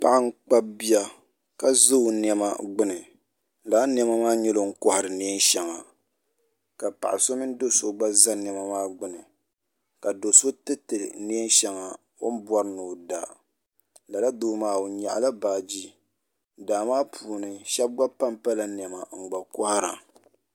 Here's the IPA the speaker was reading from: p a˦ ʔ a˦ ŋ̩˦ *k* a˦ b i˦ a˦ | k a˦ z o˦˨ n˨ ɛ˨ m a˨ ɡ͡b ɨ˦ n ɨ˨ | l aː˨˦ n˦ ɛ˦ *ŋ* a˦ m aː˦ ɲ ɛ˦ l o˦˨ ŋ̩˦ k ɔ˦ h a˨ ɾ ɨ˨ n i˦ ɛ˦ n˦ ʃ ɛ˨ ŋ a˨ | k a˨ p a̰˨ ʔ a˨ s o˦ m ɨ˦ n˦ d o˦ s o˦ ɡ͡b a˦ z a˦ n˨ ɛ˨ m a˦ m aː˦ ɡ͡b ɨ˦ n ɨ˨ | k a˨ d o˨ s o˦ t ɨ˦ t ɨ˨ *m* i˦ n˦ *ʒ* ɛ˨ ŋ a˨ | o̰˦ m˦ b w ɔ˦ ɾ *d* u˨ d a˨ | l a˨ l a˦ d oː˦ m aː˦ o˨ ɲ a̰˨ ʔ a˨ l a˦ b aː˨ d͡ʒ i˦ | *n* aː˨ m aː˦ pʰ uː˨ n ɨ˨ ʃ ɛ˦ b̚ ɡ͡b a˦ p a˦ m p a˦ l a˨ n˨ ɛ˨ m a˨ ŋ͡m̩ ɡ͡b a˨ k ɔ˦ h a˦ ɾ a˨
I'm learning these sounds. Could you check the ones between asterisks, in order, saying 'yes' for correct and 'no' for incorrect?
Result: no, no, no, no, no, no

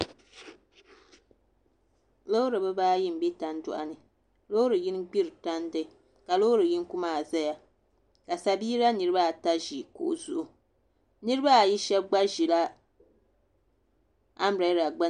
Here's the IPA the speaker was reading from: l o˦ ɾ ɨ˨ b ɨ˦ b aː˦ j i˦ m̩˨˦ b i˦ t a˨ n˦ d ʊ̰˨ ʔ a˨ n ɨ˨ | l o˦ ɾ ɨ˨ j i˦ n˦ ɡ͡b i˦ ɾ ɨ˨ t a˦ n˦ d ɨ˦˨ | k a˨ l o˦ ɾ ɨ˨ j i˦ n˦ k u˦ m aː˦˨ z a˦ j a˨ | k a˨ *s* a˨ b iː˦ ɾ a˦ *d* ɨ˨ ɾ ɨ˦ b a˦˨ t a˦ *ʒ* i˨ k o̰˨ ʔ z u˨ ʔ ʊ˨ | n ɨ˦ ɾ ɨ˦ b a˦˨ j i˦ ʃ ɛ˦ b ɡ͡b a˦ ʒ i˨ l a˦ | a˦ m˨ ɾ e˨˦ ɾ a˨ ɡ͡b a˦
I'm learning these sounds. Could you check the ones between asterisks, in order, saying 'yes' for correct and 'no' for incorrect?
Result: yes, no, yes

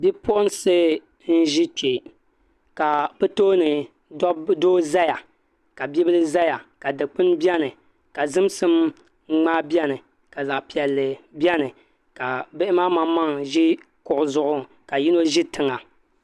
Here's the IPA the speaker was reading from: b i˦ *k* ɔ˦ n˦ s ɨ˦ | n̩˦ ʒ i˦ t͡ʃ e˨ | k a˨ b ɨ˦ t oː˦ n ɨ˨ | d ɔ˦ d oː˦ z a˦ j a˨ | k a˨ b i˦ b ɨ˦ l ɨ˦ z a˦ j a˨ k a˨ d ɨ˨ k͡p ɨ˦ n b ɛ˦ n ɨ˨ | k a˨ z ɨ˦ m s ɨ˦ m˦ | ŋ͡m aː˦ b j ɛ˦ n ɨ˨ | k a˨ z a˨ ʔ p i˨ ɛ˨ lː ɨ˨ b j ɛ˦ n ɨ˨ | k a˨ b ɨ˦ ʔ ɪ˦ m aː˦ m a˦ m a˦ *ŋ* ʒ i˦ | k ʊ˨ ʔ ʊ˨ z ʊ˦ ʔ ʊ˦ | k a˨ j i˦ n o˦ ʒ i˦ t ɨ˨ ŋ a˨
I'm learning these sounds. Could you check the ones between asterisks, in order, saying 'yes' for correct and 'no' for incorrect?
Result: no, yes

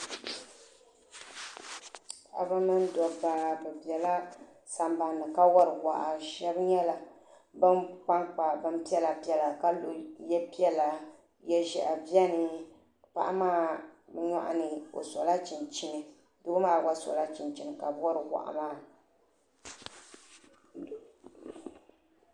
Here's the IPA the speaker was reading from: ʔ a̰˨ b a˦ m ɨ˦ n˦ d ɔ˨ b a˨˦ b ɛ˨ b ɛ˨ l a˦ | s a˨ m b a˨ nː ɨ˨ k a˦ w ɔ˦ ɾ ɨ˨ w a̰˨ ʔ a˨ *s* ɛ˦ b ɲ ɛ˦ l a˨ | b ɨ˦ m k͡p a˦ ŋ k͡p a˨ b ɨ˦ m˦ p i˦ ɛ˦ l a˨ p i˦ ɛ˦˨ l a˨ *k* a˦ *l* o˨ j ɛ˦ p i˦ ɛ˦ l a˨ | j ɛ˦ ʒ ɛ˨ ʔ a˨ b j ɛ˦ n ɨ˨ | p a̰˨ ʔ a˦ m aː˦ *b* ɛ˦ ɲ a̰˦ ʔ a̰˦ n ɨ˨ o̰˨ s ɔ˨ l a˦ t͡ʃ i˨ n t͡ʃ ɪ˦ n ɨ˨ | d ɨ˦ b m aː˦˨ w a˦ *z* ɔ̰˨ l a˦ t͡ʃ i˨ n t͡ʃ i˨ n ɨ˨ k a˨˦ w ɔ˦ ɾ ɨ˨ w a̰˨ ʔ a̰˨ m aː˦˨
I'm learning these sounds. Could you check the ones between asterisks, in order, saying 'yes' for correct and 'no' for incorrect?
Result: no, yes, yes, yes, no

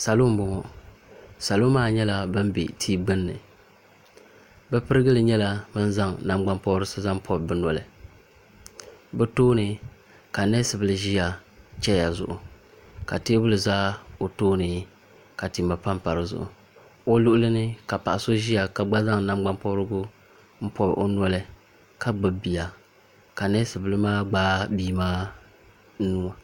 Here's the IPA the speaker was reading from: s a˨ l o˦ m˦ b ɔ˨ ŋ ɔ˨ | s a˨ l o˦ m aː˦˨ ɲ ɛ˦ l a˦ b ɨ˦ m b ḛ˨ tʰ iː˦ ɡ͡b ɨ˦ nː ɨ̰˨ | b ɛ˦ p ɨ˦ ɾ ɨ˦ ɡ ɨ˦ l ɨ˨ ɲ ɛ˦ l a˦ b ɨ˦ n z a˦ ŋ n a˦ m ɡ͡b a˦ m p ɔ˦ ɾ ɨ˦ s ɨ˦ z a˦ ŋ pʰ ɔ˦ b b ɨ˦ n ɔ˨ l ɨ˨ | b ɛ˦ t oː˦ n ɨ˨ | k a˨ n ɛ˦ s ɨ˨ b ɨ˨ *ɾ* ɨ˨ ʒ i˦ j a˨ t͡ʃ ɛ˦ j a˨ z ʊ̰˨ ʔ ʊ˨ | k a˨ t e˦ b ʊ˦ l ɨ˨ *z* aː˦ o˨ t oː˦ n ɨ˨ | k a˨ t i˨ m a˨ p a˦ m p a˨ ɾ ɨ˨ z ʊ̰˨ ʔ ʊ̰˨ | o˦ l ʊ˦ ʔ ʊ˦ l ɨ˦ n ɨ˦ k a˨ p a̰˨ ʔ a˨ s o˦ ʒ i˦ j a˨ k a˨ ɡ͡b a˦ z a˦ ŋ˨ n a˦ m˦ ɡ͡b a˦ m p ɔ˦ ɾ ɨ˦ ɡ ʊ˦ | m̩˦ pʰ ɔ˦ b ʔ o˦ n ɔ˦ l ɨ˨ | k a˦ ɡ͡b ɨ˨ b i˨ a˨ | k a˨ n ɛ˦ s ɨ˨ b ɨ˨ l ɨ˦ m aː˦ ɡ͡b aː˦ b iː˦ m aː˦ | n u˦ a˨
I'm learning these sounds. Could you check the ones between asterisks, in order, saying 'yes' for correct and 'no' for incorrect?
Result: no, yes

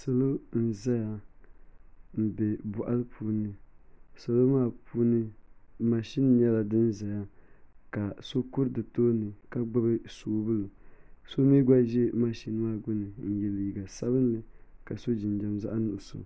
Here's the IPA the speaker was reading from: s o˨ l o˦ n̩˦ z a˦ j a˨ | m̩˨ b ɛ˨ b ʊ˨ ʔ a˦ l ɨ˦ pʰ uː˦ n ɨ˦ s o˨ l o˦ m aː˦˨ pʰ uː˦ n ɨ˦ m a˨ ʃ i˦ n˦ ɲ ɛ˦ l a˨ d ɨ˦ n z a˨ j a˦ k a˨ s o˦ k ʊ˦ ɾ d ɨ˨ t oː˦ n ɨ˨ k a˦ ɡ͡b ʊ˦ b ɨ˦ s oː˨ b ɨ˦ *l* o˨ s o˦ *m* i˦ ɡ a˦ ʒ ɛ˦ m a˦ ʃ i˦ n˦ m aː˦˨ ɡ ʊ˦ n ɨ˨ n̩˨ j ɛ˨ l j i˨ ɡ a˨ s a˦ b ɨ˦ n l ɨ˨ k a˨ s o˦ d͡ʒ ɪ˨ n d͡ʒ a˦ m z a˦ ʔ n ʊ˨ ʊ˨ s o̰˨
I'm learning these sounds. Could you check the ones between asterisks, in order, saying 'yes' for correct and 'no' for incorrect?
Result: yes, yes

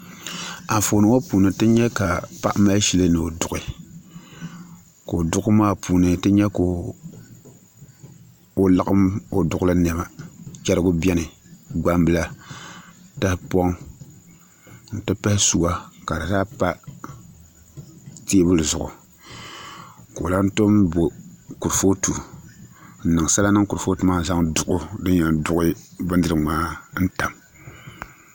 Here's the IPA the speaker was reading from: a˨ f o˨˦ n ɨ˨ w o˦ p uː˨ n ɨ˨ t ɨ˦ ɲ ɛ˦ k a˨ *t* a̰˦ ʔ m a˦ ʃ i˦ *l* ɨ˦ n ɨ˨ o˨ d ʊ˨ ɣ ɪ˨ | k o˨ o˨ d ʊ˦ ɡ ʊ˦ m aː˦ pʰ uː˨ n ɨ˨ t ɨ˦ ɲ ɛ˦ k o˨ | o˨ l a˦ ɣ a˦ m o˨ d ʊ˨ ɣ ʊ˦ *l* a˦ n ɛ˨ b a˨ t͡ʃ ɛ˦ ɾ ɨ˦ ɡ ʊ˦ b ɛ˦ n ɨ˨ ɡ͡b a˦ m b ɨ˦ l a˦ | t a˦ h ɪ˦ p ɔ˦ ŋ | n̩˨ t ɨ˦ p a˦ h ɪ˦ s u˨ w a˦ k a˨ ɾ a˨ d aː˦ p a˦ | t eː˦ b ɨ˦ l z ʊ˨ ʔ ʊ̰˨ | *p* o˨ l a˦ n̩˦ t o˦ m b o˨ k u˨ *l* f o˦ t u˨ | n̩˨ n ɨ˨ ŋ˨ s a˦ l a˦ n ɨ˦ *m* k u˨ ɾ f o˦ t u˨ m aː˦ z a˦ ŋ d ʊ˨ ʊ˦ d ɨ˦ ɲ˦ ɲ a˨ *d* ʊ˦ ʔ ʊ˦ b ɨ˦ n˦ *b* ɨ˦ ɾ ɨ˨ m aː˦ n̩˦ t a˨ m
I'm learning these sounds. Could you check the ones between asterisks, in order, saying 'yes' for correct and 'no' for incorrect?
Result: no, yes, yes, no, no, no, yes, no

